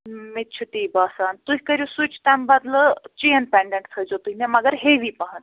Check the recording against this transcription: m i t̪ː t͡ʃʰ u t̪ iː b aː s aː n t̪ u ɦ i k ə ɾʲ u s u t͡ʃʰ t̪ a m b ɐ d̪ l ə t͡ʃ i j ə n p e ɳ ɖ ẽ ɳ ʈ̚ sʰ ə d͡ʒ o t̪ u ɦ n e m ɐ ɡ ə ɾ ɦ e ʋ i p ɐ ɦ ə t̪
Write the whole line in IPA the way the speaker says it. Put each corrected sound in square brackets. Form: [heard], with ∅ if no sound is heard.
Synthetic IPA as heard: m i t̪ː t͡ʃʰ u t̪ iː b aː s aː n t̪ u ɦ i k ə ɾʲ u s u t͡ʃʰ t̪ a m b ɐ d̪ l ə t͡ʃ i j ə n p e ɳ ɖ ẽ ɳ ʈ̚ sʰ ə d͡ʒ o t̪ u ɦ n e m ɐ ɡ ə ɾ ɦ e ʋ i p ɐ ɦ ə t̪